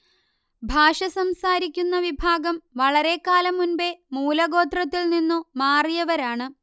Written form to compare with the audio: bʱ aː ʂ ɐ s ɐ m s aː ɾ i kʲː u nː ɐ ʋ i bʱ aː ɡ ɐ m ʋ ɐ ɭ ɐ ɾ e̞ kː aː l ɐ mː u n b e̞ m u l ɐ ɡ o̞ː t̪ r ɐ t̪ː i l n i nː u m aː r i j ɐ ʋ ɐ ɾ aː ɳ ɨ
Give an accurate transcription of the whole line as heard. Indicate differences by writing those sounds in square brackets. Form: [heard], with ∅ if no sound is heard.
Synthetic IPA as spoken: bʱ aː ʂ ɐ s ɐ m s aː ɾ i kʲː u nː ɐ ʋ i bʱ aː ɡ ɐ m ʋ ɐ ɭ ɐ ɾ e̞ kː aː l ɐ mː u n b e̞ m [uː] l ɐ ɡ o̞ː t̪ r ɐ t̪ː i l n i nː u m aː r i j ɐ ʋ ɐ ɾ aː ɳ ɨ